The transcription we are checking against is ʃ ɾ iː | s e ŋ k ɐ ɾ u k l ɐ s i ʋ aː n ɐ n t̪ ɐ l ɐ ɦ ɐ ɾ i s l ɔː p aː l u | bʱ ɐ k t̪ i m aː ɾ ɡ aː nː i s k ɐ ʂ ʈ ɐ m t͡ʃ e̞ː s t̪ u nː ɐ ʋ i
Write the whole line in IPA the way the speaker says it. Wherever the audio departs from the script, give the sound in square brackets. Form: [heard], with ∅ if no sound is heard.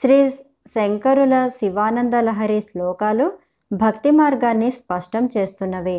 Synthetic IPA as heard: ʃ ɾ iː | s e ŋ k ɐ ɾ u [∅] l ɐ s i ʋ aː n ɐ n [d̪] ɐ l ɐ ɦ ɐ ɾ i s l ɔː [k] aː l u | bʱ ɐ k t̪ i m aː ɾ ɡ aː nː i s [p] ɐ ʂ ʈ ɐ m t͡ʃ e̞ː s t̪ u nː ɐ ʋ i